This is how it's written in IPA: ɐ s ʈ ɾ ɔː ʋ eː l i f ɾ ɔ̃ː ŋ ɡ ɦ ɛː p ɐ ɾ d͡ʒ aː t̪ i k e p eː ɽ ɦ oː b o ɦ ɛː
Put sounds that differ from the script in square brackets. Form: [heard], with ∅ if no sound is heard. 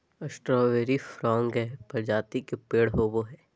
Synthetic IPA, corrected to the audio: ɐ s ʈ ɾ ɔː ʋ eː [ɾ] i f ɾ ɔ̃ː ŋ ɡ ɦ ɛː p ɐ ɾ d͡ʒ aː t̪ i k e p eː ɽ ɦ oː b o ɦ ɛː